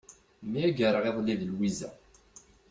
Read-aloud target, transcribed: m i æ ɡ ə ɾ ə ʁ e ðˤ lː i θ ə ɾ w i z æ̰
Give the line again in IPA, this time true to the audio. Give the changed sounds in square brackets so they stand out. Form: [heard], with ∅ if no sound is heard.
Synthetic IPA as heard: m i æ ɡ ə ɾ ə ʁ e ðˤ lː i [ð] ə [l] w i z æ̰